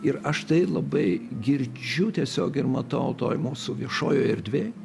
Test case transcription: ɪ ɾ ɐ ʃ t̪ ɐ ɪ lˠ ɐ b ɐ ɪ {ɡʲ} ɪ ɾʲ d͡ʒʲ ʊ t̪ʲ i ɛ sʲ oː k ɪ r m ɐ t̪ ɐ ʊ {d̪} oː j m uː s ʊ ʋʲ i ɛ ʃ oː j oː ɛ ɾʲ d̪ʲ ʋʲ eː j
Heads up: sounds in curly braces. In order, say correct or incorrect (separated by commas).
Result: correct, incorrect